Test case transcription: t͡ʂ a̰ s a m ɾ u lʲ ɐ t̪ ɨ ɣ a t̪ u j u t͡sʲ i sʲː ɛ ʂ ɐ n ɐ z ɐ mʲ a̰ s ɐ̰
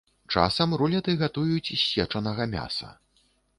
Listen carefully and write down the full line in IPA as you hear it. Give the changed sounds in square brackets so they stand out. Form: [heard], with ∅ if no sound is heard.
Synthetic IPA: t͡ʂ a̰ s [ɐ] m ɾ u lʲ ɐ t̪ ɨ ɣ a t̪ u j u t͡sʲ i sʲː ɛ [t͡ʂ] ɐ n ɐ [ɣ] ɐ mʲ a̰ s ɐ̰